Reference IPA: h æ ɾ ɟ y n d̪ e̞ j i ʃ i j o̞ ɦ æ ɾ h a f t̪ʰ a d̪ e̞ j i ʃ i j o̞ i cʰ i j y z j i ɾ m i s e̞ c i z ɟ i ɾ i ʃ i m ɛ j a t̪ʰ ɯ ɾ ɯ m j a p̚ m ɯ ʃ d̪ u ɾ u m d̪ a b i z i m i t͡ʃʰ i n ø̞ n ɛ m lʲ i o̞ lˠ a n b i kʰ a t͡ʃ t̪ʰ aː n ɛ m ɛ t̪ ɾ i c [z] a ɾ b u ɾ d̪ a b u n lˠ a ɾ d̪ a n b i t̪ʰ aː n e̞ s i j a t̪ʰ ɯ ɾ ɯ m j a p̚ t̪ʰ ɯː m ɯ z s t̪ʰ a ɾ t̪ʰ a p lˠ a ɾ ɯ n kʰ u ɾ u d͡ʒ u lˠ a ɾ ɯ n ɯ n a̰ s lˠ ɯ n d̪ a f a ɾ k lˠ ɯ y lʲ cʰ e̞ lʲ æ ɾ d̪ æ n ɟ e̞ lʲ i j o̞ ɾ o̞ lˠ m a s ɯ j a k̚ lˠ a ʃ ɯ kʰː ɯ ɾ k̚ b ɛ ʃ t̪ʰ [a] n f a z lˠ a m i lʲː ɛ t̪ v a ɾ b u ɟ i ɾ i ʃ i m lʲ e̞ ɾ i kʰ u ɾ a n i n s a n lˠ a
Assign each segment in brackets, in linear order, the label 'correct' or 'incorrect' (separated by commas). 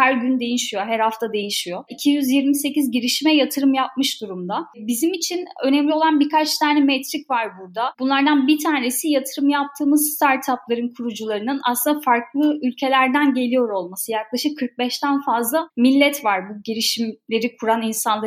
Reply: incorrect, incorrect